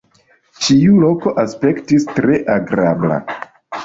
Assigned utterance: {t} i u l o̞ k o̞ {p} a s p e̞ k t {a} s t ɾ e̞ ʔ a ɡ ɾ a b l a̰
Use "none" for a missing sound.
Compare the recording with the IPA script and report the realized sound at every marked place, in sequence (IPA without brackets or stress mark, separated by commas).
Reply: t͡ʃ, ʔ, i